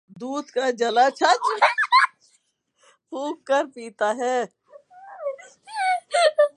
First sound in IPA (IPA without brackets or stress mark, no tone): d̪